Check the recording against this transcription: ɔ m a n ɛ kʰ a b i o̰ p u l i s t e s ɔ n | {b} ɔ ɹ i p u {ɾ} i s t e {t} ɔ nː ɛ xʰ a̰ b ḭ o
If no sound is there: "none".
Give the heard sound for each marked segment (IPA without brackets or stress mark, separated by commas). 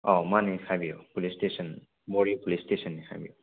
b, l, s